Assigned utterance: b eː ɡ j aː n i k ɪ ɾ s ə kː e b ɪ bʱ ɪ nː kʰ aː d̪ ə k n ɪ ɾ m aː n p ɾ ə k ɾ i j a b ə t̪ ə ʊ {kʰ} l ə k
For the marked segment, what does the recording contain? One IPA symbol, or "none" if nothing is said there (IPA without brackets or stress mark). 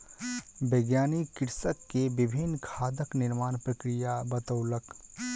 none